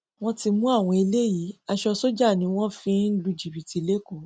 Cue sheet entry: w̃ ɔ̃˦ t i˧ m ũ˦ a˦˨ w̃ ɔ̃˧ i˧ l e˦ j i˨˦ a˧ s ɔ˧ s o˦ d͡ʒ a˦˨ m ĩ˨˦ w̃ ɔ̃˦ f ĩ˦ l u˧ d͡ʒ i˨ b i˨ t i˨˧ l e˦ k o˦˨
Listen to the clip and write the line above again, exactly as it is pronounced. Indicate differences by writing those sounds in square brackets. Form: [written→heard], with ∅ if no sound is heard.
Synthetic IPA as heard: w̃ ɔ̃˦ t i˧ m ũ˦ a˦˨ w̃ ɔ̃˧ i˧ l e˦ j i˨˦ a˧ [s→ʃ] ɔ˧ s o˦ d͡ʒ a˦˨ [m→n] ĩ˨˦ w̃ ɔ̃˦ f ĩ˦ l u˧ d͡ʒ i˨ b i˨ t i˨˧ l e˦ k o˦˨